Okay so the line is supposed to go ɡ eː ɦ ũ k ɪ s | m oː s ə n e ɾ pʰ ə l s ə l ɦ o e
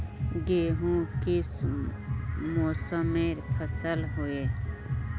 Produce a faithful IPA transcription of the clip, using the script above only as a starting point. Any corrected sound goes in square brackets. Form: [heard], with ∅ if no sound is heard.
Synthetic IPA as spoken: ɡ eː ɦ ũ k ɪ s | m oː s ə [m] e ɾ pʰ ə [∅] s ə l ɦ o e